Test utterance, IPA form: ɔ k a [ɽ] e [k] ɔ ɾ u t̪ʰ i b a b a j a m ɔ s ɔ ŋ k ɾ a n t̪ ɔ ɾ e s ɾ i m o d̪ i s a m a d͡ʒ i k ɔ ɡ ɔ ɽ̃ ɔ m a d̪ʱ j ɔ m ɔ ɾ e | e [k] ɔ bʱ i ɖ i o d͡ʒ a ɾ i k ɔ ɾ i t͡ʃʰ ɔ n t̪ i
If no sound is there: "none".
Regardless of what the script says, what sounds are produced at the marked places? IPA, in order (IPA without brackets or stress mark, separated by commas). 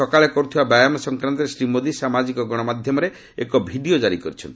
ɭ, k, k